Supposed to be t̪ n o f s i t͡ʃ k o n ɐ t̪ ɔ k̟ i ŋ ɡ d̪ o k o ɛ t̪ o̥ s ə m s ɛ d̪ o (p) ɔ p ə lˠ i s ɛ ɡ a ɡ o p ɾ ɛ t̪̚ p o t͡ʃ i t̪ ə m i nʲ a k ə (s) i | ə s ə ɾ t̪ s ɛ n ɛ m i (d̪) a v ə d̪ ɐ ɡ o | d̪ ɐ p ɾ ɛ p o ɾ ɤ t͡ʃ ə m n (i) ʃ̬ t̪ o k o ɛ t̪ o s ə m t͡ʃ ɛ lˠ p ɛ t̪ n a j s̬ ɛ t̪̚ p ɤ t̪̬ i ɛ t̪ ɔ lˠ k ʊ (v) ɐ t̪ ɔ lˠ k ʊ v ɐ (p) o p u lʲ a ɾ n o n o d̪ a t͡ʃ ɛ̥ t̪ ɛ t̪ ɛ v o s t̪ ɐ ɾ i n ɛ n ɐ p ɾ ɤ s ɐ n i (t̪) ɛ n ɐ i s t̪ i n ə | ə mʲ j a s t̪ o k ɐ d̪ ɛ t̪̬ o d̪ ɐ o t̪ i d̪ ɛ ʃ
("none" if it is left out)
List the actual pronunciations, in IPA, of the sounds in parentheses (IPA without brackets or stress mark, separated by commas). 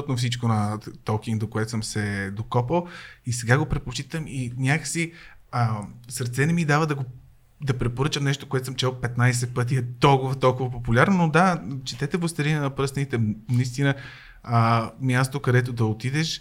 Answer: k, s, d̪, ɛ, v, p, t̪